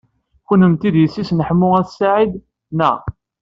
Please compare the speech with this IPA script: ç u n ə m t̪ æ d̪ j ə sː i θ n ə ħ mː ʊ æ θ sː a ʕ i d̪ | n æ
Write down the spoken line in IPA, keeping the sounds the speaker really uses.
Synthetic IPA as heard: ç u n ə m t̪ i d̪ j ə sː i s n ə ħ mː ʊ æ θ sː a ʕ i d̪ | n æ